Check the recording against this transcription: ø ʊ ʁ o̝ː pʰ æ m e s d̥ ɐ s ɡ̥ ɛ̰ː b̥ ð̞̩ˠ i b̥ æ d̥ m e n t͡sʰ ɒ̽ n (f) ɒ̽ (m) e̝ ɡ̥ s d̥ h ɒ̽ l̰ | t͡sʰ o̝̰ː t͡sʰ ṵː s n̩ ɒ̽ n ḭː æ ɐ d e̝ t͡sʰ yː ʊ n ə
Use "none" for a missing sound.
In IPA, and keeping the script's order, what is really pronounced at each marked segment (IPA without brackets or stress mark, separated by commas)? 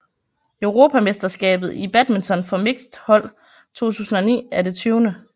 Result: f, m